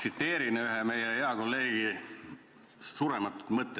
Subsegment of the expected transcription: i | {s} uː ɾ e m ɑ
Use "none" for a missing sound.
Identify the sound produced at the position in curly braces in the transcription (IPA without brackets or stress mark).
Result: s